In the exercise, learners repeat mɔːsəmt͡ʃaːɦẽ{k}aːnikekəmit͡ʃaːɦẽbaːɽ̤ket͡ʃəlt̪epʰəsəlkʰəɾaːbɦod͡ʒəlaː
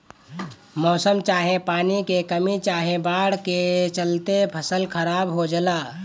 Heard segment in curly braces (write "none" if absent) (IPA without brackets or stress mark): p